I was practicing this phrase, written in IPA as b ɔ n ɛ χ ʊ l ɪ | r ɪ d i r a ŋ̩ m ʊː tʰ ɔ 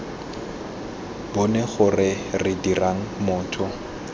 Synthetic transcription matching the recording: b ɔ n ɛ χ ʊ r ɪ | r ɪ d i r a ŋ̩ m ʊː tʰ ɔ